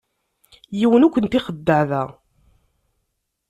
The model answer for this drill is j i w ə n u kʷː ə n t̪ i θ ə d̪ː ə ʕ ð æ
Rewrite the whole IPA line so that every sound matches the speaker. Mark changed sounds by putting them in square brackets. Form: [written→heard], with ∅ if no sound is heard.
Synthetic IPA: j i w ə n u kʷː ə n t̪ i [θ→χ] ə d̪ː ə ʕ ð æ